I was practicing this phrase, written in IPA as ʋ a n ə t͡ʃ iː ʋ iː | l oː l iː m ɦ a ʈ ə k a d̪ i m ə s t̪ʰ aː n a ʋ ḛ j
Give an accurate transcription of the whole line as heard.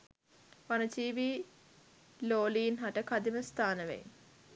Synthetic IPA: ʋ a n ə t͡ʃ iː ʋ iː | l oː l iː n ɦ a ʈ ə k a d̪ i m ə s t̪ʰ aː n ə ʋ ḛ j